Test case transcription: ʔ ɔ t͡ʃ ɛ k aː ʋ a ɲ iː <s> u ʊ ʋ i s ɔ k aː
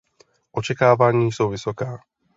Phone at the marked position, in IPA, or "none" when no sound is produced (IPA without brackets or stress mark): s